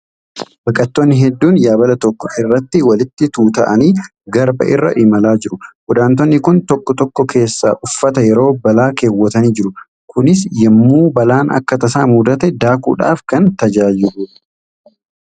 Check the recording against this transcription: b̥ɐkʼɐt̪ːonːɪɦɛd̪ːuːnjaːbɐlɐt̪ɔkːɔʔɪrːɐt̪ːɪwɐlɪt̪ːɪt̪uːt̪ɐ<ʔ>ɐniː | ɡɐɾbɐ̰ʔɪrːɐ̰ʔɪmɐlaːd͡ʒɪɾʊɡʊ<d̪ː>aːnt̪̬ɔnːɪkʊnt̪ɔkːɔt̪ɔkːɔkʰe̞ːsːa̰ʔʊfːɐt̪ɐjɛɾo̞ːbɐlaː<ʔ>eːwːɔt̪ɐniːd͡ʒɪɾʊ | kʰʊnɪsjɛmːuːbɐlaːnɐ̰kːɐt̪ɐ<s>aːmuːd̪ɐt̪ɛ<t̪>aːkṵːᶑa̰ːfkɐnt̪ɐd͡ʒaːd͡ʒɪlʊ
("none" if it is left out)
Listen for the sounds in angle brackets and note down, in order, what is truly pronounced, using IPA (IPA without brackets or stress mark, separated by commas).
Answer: ʔ, d̪, k, s, d̪